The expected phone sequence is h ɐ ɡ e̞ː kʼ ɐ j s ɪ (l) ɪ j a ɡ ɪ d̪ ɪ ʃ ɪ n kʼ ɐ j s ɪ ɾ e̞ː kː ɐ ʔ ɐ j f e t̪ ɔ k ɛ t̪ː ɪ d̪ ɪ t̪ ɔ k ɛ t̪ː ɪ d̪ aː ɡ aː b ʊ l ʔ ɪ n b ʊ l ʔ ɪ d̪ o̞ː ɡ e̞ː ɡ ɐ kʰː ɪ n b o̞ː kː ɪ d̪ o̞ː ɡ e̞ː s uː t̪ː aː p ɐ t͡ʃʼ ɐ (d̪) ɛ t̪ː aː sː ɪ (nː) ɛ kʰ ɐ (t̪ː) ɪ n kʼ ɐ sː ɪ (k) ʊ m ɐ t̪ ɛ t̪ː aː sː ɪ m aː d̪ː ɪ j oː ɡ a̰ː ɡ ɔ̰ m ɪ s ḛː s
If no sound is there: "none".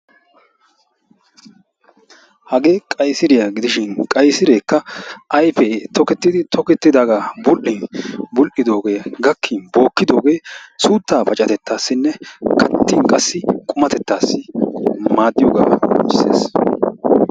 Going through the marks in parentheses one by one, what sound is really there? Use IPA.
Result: ɾ, t̪, nː, t̪ː, kʼ

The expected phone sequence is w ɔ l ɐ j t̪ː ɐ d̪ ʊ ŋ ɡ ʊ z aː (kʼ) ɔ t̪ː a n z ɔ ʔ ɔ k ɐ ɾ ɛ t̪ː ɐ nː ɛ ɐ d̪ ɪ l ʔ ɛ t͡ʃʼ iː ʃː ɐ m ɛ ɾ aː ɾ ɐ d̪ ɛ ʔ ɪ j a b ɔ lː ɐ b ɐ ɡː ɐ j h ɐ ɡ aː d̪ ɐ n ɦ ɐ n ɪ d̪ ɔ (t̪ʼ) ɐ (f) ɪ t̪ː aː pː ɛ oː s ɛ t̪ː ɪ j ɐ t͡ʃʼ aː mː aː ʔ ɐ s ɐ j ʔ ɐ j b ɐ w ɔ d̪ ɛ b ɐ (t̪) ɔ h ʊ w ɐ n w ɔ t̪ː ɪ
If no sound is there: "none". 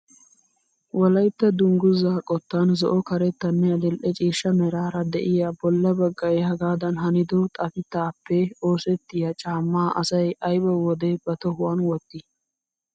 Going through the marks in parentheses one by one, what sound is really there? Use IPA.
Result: kʼ, t̪ʼ, f, t̪

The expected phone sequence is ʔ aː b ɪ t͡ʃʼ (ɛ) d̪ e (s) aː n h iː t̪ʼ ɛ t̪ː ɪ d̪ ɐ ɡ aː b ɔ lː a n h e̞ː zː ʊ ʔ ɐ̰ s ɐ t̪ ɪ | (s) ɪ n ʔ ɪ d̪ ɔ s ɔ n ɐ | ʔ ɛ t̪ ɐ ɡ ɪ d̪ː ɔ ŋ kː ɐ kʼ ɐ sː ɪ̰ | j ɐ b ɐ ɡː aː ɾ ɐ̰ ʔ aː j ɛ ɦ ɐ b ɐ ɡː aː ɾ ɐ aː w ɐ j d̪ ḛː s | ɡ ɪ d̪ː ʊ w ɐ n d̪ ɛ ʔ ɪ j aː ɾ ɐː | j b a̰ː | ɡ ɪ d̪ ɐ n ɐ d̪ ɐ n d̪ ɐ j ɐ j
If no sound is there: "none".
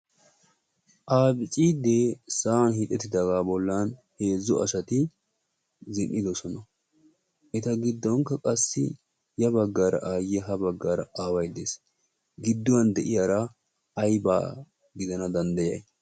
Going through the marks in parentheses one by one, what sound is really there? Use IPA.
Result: i, s, z

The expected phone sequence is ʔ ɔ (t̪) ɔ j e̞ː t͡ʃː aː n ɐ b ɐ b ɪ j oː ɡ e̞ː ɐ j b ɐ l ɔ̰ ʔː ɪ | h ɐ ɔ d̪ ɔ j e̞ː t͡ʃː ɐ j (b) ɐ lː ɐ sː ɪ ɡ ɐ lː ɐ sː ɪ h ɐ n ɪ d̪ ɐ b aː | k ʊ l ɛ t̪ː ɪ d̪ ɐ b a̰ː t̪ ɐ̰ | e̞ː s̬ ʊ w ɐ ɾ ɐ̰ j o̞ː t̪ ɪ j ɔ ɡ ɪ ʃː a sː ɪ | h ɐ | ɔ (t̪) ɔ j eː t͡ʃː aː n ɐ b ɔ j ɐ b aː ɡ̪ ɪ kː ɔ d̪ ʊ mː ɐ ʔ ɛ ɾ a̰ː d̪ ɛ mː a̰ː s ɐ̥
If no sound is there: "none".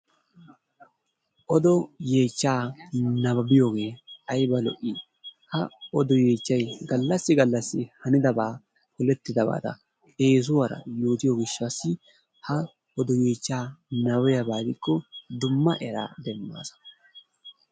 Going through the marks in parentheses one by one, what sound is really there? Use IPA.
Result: d̪, ɡ, d̪

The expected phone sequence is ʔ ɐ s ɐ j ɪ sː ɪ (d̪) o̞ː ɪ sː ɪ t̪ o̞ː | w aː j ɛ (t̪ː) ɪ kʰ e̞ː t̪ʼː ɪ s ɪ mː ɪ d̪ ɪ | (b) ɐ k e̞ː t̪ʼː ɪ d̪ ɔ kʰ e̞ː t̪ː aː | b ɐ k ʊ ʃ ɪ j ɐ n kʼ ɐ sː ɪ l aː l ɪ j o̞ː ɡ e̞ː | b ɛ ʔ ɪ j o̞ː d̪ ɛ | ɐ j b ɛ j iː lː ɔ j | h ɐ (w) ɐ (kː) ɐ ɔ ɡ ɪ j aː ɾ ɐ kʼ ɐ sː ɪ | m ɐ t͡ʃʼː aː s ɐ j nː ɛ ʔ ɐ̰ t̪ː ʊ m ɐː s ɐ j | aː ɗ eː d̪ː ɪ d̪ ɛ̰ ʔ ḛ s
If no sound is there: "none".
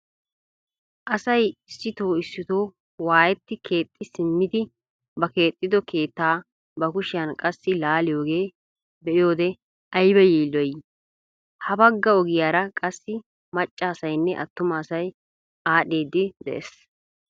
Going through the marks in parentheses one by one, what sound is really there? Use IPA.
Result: t̪, t̪ː, b, b, ɡː

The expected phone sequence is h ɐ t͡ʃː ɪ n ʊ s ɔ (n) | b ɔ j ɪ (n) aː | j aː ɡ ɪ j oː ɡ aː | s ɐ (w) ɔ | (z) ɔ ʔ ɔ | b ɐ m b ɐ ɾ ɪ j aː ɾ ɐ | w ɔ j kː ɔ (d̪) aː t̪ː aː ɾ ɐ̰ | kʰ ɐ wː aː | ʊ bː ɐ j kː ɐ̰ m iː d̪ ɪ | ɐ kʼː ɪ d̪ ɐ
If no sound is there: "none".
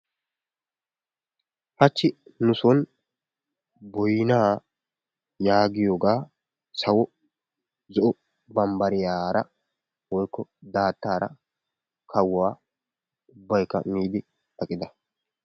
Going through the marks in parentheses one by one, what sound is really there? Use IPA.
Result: n, n, w, z, d̪

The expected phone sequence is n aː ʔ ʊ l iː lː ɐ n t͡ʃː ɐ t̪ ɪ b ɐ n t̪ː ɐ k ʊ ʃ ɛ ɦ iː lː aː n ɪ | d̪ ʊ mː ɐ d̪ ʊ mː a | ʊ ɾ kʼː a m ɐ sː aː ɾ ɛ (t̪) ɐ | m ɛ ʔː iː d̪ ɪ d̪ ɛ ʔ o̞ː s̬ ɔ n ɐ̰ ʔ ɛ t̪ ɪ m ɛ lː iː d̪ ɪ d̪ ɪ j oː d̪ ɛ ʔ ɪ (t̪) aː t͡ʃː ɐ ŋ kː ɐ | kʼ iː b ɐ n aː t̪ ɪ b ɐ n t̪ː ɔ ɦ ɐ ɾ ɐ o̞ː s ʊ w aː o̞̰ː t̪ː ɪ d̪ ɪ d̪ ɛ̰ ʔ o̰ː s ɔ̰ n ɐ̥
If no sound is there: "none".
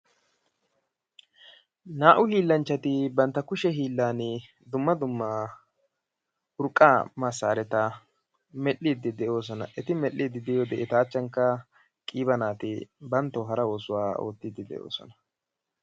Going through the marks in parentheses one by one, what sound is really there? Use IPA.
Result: t̪, t̪

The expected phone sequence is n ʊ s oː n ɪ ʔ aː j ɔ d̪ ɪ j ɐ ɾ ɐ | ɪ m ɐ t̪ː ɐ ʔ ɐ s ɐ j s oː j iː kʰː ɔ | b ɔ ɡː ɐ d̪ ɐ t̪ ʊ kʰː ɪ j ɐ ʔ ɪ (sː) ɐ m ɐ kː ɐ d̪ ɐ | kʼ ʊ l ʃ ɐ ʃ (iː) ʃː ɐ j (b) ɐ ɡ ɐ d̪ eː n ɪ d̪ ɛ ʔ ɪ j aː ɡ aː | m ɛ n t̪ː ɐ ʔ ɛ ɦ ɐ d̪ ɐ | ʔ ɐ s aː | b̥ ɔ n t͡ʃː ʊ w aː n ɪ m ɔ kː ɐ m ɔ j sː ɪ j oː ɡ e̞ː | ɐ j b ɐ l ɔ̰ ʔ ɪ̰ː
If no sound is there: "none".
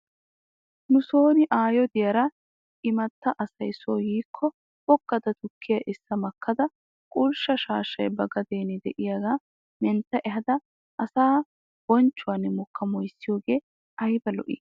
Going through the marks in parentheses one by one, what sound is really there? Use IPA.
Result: sː, aː, b

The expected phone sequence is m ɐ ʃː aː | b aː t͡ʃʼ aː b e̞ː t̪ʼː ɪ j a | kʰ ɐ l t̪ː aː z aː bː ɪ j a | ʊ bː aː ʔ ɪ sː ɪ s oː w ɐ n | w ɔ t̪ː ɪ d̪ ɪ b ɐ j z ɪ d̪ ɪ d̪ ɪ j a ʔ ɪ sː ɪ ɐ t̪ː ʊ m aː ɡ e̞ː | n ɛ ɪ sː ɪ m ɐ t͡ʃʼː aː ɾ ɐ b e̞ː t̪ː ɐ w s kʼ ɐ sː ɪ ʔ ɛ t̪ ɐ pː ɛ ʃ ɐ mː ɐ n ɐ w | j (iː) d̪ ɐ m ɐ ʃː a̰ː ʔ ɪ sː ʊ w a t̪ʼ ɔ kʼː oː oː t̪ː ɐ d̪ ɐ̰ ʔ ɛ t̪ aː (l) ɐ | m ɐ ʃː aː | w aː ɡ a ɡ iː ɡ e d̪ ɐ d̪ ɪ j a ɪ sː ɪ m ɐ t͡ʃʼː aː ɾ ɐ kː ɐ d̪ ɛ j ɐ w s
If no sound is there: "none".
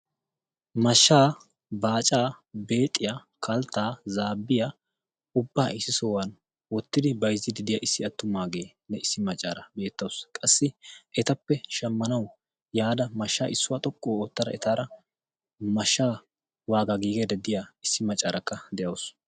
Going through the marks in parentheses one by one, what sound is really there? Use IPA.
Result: aː, ɾ

